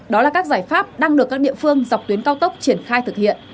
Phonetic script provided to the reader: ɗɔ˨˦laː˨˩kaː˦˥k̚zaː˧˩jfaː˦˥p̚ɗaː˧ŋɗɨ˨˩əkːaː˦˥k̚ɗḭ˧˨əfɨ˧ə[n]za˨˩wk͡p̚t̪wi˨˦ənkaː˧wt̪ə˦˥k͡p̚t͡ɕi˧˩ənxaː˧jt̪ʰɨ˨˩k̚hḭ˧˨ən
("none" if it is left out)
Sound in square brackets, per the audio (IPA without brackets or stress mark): ŋ